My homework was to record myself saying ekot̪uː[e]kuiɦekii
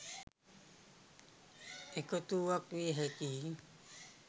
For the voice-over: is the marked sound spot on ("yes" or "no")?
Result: no